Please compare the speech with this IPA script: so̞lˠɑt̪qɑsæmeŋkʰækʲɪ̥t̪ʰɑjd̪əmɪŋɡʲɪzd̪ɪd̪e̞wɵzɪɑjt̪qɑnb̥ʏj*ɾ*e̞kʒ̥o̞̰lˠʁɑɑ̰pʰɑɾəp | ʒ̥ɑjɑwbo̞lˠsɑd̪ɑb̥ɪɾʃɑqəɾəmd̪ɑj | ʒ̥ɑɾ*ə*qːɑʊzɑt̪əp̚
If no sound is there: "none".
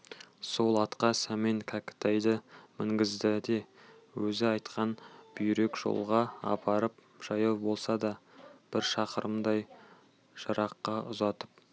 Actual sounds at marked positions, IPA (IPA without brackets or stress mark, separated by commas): ɾ, ɑ